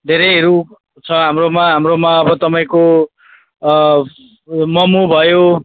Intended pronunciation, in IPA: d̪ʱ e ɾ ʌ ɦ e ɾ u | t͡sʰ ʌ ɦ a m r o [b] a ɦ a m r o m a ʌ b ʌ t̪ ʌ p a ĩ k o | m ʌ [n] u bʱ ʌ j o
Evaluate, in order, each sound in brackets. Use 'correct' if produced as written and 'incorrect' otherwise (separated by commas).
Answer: incorrect, incorrect